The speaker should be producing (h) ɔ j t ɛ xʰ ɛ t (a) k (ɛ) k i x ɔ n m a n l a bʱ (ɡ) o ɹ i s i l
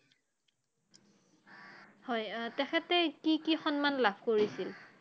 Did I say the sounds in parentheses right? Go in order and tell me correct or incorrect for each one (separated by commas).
correct, incorrect, incorrect, incorrect